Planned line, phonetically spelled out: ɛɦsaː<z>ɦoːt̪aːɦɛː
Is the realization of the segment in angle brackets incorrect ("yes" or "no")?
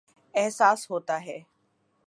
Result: yes